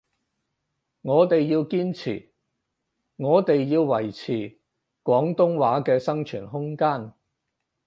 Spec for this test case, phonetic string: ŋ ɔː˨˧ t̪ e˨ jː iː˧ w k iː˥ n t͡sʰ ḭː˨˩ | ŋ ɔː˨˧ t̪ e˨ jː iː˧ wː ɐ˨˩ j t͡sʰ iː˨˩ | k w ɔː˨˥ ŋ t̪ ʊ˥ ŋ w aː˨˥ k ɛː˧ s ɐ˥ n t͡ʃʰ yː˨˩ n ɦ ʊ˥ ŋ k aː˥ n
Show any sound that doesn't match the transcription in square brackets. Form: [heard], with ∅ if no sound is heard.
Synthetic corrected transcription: ŋ ɔː˨˧ t̪ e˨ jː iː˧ w k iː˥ n t͡sʰ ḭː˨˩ | ŋ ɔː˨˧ t̪ e˨ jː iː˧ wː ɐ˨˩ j t͡sʰ iː˨˩ | k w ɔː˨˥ ŋ t̪ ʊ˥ ŋ w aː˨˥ k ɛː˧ s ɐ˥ [ŋ] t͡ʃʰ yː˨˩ n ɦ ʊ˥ ŋ k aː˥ n